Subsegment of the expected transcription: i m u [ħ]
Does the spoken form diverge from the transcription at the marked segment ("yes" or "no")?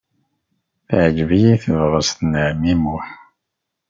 no